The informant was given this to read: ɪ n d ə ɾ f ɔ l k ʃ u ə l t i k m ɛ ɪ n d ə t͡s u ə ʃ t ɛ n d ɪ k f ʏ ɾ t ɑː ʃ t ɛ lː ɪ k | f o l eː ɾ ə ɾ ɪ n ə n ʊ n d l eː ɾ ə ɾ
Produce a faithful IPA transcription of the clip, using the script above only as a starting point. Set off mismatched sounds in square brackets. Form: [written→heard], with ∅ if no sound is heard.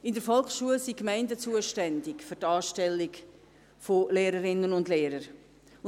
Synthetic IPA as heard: ɪ n d ə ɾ f ɔ l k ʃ u ə l [t→s] i k m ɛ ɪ n d ə t͡s u ə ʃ t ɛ n d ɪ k f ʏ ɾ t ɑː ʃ t ɛ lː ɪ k | f o l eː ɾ ə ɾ ɪ n ə n ʊ n d l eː ɾ ə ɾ